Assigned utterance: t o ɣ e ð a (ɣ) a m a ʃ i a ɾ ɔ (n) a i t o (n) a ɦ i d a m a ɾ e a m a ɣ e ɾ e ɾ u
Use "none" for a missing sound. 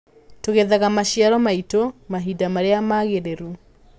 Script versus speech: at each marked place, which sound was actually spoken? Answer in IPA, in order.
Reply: ɣ, m, m

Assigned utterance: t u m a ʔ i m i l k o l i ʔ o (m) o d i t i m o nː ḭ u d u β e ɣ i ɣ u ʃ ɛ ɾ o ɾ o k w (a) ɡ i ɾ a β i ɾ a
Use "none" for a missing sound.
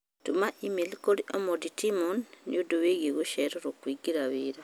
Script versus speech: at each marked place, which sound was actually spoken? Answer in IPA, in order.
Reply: m, i

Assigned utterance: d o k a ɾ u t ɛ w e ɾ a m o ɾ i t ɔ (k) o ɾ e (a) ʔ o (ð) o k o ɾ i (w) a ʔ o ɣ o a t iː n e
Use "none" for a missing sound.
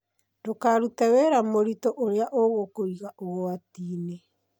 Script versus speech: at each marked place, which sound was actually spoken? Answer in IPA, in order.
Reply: ʔ, a, ɣ, ɣ

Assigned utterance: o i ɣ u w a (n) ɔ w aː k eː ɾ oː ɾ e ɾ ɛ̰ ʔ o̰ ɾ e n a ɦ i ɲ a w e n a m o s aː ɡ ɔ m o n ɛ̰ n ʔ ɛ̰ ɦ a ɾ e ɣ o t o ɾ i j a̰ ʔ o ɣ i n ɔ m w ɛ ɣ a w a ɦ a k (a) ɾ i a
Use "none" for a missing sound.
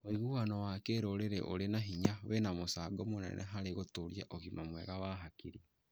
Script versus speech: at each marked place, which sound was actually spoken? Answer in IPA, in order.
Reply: n, i

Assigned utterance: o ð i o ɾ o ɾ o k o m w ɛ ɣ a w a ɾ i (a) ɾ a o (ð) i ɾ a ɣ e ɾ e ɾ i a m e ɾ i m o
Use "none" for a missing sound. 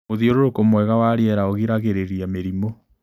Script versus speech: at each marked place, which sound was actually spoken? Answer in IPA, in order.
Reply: ɛ, ɣ

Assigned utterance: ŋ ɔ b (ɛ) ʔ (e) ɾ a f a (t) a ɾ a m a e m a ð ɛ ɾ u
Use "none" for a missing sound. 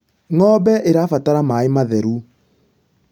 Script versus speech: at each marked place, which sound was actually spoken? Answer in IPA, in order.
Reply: ɛ, e, t

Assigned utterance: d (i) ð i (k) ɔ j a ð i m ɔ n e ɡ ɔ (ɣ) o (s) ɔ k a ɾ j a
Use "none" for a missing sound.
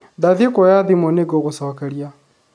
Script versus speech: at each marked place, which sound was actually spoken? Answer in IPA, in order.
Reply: a, k, ɣ, s

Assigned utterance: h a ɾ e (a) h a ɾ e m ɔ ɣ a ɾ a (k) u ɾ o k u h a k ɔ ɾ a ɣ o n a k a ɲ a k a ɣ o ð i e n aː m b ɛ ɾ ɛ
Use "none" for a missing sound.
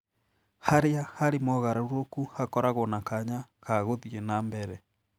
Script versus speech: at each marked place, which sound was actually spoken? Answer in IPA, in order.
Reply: a, none

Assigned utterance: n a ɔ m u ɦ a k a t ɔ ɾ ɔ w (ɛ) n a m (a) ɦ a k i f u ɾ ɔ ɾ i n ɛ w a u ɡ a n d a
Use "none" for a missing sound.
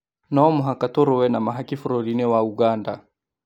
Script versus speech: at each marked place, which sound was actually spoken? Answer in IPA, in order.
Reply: ɛ, a

